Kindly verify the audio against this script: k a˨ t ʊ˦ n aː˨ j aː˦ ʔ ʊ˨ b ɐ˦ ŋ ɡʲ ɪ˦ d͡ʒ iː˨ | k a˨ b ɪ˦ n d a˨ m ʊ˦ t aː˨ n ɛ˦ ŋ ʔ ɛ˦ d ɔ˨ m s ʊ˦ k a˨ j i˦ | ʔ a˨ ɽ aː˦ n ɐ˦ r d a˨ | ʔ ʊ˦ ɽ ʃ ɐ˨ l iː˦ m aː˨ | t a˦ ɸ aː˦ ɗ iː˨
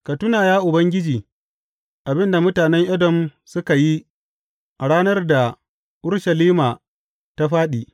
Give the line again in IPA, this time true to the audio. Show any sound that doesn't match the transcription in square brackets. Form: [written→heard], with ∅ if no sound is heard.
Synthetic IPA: k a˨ t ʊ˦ n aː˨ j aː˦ ʔ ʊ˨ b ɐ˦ ŋ ɡʲ ɪ˦ d͡ʒ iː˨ | [k→ʔ] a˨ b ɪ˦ n d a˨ m ʊ˦ t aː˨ n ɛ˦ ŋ ʔ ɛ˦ d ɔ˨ m s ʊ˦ k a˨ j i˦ | ʔ a˨ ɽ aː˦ n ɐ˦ r d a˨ | ʔ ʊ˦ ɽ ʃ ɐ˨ l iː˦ m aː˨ | t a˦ ɸ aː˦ ɗ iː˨